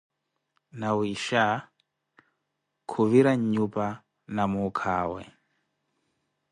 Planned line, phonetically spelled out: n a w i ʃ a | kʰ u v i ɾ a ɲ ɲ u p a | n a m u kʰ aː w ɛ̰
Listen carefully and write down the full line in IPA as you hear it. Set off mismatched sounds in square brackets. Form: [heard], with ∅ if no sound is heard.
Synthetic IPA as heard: n a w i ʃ a | kʰ u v i ɾ a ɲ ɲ u p a | n a m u kʰ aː w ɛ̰

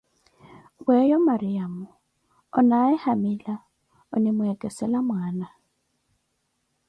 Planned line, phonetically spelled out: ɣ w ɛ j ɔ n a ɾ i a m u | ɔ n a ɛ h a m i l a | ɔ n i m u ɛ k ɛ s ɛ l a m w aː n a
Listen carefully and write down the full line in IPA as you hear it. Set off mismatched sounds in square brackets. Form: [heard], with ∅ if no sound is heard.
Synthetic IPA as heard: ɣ w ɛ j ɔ [m] a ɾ i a m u | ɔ n a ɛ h a m i l a | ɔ n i m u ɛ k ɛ s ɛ l a m w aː n a

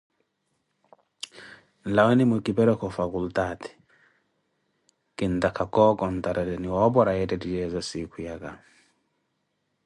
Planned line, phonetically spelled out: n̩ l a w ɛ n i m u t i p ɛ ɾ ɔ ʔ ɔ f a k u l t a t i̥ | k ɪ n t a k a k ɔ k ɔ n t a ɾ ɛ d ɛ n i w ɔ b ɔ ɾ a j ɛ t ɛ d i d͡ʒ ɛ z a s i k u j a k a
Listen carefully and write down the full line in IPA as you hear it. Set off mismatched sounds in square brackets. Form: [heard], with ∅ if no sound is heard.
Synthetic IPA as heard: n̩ l a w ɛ n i m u [k] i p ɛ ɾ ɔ [k] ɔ f a k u l t a t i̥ | k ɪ n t a k a k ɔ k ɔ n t a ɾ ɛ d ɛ n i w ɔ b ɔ ɾ a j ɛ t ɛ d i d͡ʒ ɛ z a s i k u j a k a

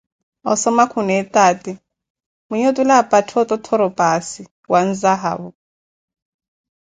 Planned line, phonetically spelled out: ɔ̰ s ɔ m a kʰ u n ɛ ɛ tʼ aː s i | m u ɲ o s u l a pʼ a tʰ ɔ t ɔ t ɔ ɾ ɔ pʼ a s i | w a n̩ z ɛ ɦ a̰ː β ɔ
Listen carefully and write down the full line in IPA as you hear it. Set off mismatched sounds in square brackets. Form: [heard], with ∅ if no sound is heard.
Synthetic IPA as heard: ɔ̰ s ɔ m a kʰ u n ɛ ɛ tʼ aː [t] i | m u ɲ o [t] u l a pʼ a tʰ ɔ t ɔ [tʰ] ɔ ɾ ɔ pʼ a s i | w a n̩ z [a] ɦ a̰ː β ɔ

